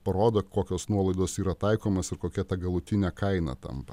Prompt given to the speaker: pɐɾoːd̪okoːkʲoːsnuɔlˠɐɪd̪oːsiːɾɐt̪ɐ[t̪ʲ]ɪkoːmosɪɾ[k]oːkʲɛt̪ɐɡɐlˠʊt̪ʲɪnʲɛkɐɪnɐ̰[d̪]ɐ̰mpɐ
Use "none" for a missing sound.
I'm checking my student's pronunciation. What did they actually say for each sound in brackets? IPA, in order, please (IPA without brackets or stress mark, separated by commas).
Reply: none, k, t̪